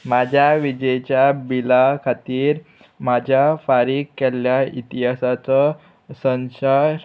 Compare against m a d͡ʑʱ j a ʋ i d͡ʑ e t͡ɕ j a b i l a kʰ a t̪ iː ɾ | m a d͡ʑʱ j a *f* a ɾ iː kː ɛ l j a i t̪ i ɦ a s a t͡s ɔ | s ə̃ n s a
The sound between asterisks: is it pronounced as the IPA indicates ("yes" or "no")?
yes